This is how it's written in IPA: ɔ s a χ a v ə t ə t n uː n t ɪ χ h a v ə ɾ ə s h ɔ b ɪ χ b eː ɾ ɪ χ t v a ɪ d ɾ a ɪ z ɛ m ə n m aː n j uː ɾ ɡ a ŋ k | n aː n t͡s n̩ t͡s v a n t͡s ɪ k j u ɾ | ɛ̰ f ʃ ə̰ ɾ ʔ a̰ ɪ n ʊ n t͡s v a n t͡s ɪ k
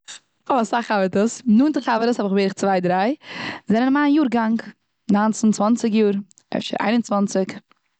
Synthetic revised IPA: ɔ s a χ a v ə t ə s n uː n t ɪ χ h a v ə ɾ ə s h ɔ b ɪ χ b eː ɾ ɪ χ t͡s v a ɪ d ɾ a ɪ z ɛ n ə n m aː n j uː ɾ ɡ a ŋ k | n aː n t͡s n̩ t͡s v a n t͡s ɪ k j uː ɾ | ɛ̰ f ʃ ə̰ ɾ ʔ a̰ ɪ n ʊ n t͡s v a n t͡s ɪ k